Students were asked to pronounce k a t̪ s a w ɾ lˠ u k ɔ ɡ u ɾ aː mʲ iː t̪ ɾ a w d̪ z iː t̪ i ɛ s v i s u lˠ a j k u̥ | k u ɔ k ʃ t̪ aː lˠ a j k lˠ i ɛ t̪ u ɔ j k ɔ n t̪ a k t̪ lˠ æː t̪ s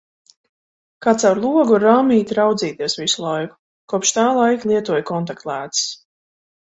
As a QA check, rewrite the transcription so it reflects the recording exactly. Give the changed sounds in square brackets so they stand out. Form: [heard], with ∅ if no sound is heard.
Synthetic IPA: k a t̪ s a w ɾ lˠ u [∅] ɔ ɡ u ɾ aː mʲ iː t̪ ɾ a w d̪ z iː t̪ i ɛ s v i s u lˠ a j k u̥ | k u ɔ [p] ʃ t̪ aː lˠ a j k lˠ i ɛ t̪ u ɔ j k ɔ n t̪ a k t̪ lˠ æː t̪ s